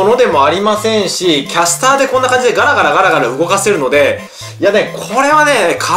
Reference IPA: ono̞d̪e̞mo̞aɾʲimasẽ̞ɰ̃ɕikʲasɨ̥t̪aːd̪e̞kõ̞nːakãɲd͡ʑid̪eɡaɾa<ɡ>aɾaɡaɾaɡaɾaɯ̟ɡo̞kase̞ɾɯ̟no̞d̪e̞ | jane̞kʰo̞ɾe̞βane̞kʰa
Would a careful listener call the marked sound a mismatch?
no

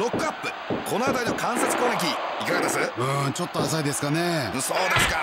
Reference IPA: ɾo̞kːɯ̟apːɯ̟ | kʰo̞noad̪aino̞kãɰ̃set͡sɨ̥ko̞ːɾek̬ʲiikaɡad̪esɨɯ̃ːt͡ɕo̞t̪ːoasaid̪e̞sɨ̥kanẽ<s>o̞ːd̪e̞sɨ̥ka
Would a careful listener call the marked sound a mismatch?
no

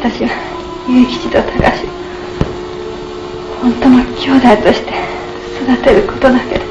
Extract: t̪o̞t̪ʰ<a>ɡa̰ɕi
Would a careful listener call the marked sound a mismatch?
no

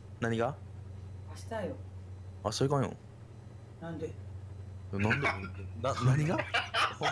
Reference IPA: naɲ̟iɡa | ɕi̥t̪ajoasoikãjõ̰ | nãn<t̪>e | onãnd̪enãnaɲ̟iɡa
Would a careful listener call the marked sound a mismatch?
yes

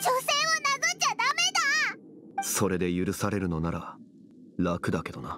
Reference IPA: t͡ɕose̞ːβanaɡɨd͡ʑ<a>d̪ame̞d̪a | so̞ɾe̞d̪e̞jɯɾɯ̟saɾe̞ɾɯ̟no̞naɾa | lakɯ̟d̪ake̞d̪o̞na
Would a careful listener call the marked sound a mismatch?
no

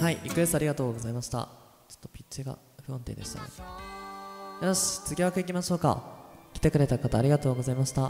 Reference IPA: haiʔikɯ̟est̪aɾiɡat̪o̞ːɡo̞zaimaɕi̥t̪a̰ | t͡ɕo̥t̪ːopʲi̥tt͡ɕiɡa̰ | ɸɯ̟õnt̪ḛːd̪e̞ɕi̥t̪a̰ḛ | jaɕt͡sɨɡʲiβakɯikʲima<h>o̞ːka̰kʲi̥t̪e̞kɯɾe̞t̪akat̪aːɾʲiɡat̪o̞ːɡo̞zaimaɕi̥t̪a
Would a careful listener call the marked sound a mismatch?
yes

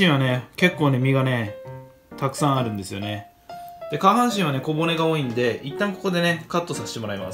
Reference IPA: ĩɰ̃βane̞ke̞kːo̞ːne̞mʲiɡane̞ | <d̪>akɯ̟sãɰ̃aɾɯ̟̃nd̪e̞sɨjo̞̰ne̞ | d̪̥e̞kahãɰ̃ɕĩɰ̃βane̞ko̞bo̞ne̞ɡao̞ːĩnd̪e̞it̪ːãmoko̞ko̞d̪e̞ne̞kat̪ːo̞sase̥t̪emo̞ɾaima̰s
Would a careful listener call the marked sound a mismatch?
yes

